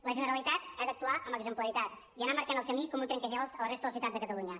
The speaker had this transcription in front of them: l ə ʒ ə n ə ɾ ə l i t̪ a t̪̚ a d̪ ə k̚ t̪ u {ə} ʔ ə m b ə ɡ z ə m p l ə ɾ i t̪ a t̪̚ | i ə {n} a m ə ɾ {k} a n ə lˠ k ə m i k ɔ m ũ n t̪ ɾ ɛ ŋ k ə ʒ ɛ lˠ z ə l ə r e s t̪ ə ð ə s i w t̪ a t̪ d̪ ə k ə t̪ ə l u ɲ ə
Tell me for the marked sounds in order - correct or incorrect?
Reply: incorrect, correct, correct

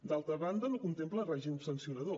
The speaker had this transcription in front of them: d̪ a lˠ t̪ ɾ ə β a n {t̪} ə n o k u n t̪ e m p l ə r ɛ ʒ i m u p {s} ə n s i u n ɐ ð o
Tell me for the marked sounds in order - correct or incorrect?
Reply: incorrect, correct

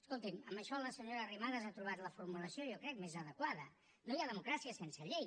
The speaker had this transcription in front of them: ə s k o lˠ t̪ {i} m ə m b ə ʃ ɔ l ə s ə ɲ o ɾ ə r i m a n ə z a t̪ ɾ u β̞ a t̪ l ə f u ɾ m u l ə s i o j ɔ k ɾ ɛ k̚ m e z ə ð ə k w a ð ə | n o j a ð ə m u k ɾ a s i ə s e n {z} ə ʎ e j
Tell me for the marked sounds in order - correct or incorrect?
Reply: correct, incorrect

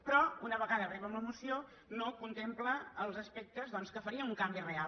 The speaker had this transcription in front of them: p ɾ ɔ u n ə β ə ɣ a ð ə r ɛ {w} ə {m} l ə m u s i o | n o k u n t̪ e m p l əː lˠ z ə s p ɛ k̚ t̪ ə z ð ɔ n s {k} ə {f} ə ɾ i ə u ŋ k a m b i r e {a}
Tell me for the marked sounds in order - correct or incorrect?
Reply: incorrect, correct, correct, correct, correct

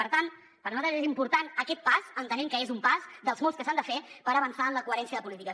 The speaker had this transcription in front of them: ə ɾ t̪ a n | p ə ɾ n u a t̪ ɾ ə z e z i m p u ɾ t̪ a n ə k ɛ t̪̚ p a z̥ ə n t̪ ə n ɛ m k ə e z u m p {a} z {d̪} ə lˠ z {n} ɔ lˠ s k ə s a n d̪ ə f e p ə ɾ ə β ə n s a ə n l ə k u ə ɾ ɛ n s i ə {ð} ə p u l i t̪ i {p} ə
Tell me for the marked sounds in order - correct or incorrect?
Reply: correct, correct, incorrect, correct, incorrect

